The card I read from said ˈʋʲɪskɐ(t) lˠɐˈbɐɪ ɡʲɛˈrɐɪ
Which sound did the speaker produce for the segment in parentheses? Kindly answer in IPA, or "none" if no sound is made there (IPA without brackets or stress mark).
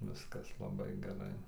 s